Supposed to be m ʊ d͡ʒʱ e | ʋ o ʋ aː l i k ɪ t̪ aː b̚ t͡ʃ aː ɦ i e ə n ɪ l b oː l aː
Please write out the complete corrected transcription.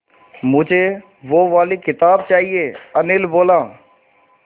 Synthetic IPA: m ʊ d͡ʒʱ e | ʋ o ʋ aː l i k ɪ t̪ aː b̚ t͡ʃ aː ɦ i e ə n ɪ l b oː l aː